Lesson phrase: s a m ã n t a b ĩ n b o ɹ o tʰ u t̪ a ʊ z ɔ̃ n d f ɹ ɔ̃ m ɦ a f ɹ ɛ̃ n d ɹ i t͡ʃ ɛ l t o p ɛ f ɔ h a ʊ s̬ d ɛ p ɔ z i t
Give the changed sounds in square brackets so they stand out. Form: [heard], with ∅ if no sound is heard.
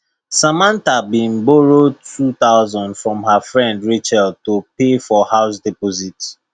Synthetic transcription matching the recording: s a m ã n t a b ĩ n b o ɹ o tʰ u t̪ a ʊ z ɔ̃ n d f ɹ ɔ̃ m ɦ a f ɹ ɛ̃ n d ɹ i t͡ʃ ɛ l t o p [e] f ɔ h a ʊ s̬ d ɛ p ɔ z i t